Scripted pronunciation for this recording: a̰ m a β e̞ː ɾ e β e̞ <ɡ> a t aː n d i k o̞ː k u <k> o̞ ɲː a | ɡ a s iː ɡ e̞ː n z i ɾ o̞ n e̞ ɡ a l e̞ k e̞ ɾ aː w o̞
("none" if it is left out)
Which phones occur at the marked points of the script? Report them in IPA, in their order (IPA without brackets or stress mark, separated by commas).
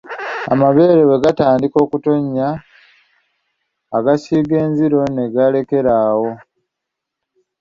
ɡ, t